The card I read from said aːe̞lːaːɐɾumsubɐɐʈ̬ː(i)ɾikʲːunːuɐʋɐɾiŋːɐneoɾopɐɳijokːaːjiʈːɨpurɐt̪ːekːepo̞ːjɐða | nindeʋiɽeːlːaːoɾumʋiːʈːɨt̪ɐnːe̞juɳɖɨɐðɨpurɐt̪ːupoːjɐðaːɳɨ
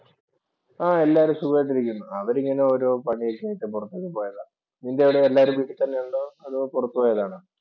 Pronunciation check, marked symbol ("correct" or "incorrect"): correct